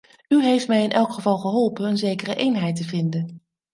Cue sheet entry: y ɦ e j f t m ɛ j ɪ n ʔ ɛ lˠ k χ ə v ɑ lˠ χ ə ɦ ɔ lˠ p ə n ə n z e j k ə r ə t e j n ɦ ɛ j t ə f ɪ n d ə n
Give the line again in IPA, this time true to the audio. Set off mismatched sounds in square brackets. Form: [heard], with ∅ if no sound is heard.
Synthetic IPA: y ɦ e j f t m ɛ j ɪ n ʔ ɛ lˠ k χ ə v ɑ lˠ χ ə ɦ ɔ lˠ p ə n ə n z e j k ə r ə [ʔ] e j n ɦ ɛ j t ə [v] ɪ n d ə n

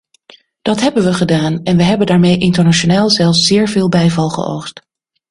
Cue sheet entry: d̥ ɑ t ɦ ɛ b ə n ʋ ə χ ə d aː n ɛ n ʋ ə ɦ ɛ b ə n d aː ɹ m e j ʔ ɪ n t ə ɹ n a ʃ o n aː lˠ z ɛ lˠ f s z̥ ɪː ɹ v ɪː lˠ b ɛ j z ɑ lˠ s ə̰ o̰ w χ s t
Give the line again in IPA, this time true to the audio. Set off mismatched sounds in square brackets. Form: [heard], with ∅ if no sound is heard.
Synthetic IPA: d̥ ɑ t ɦ ɛ b ə n ʋ ə χ ə d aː n ɛ n ʋ ə ɦ ɛ b ə n d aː ɹ m e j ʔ ɪ n t ə ɹ n a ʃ o n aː lˠ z ɛ lˠ f s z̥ ɪː ɹ v ɪː lˠ b ɛ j [v] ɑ lˠ [χ] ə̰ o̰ w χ s t

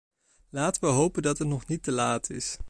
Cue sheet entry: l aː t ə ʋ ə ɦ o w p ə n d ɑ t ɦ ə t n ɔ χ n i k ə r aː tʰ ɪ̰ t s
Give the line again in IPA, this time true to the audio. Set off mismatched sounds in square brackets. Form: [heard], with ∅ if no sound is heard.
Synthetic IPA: l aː t ə ʋ ə ɦ o w p ə n d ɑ t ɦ ə t n ɔ χ n i [t] ə [l] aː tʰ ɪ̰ [∅] s

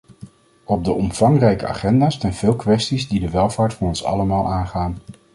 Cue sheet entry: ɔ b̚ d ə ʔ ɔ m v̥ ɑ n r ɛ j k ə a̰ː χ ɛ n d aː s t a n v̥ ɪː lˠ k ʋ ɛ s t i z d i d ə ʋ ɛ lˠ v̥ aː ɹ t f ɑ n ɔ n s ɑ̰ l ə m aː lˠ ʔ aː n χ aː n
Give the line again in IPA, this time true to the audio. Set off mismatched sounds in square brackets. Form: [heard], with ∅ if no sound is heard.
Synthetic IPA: ɔ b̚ d ə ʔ ɔ m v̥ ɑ [ŋ] r ɛ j k ə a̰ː χ ɛ n d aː s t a n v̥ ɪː lˠ k ʋ ɛ s t i z d i d ə ʋ ɛ lˠ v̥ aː ɹ t f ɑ n ɔ n s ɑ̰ l ə m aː lˠ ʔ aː n χ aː n

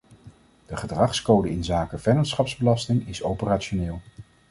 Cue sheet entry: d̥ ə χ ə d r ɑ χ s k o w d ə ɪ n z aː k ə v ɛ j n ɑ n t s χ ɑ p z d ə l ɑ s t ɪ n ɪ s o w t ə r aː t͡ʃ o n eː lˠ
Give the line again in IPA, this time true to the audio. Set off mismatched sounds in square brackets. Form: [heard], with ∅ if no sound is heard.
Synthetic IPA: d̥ ə χ ə d r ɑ χ s k o w d ə ɪ n z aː k ə v ɛ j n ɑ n t s χ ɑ p z [b] ə l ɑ s t ɪ [ŋ] ɪ s o w [p] ə r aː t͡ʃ o n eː lˠ

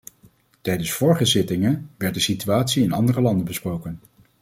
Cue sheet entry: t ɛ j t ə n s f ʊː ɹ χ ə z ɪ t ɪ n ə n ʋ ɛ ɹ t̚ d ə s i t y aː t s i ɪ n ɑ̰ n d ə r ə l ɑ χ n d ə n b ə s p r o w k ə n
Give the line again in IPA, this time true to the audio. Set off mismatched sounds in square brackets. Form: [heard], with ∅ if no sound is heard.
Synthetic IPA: t ɛ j [d] ə n s f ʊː ɹ χ ə z ɪ t ɪ [ŋ] ə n ʋ ɛ ɹ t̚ d ə s i t y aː t s i ɪ n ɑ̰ n d ə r ə l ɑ [∅] n d ə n b ə s p r o w k ə n

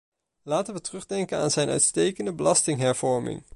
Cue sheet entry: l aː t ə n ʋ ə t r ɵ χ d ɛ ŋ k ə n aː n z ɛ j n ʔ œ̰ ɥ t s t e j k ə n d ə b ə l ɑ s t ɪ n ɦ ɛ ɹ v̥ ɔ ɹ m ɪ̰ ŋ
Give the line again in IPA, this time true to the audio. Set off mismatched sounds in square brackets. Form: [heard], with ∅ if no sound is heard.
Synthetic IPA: l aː t ə n ʋ ə t r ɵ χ d ɛ ŋ k ə n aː n z ɛ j n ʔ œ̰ ɥ t s t e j k ə n d ə b ə l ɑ s t ɪ [ŋ] ɦ ɛ ɹ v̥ ɔ ɹ m ɪ̰ ŋ

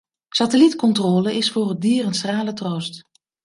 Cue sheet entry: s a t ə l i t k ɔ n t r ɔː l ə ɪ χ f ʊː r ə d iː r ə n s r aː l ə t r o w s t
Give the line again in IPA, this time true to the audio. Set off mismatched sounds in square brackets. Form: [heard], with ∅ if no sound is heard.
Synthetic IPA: s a t ə l i t k ɔ n t r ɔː l ə ɪ [s] f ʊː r ə d iː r ə n s r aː l ə t r o w s t

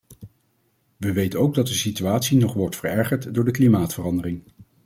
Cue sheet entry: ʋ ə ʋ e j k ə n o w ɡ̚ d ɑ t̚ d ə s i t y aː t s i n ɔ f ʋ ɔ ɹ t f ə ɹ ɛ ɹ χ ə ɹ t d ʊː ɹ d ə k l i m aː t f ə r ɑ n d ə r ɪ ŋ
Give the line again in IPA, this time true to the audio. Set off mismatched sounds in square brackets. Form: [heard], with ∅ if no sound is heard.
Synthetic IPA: ʋ ə ʋ e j [t] ə n o w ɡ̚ d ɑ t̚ d ə s i t y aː t s i n ɔ [χ] ʋ ɔ ɹ t f ə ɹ ɛ ɹ χ ə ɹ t d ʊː ɹ d ə k l i m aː t f ə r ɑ n d ə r ɪ ŋ

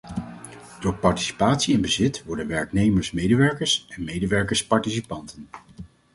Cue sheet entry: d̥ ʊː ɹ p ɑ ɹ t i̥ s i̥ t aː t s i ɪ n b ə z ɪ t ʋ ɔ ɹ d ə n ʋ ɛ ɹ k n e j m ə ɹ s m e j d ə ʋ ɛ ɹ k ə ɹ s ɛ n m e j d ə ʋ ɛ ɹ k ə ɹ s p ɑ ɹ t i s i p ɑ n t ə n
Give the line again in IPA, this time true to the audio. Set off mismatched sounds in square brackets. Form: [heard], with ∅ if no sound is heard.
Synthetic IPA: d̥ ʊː ɹ p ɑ ɹ t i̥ s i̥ [p] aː t s i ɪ n b ə z ɪ t ʋ ɔ ɹ d ə n ʋ ɛ ɹ k n e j m ə ɹ s m e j d ə ʋ ɛ ɹ k ə ɹ s ɛ n m e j d ə ʋ ɛ ɹ k ə ɹ s p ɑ ɹ t i s i p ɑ n t ə n

